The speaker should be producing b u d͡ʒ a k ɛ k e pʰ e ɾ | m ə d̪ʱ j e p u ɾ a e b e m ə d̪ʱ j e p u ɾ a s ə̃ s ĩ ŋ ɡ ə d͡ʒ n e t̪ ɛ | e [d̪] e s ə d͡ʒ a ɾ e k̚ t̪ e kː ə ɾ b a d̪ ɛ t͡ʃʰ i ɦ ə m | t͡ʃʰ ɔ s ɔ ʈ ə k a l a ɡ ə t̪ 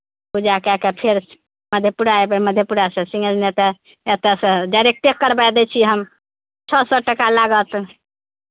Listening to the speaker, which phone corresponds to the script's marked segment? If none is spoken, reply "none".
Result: t̪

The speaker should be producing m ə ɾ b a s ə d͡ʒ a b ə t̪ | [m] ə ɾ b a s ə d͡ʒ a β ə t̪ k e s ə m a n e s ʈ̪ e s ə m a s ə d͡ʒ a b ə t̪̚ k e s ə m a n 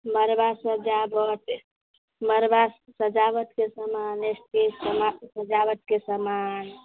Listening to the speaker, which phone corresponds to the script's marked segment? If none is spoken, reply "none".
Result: m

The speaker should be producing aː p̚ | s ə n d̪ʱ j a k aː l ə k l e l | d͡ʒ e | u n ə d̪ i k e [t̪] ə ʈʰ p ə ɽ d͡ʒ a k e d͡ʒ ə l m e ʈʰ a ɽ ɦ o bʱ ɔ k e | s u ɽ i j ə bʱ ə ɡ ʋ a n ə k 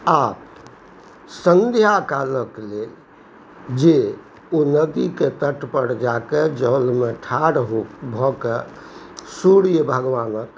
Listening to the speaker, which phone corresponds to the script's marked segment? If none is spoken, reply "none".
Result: t̪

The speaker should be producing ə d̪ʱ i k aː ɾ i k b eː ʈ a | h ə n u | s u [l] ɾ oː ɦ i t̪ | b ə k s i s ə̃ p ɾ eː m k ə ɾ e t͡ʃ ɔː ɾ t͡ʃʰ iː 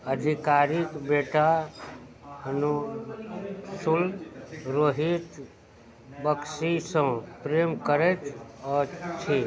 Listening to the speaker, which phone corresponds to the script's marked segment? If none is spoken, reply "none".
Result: l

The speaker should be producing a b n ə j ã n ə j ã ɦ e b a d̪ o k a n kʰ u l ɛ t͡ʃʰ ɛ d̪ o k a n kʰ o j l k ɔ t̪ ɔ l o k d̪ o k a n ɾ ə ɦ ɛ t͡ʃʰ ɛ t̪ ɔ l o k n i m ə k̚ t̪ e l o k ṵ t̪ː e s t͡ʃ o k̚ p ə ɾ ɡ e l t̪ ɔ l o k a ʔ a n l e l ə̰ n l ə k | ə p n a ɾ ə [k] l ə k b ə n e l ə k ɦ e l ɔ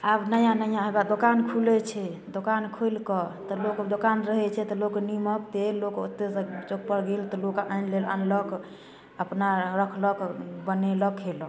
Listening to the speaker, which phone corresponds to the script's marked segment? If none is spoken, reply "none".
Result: kʰ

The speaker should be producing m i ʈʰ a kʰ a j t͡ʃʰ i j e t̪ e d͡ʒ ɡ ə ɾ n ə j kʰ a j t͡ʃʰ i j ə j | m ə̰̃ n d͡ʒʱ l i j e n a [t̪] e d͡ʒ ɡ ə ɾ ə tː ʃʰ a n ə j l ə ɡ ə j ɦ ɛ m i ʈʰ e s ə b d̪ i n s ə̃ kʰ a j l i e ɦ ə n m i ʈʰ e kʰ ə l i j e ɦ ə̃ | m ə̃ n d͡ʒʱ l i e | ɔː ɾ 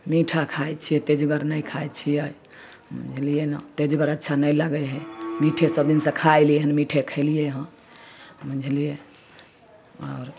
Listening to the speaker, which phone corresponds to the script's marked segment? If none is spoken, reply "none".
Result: t̪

